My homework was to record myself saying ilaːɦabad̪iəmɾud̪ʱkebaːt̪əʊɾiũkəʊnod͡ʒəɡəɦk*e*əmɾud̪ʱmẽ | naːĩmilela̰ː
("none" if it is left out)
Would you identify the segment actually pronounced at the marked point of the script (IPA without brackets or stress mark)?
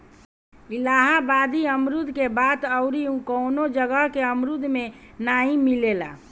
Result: e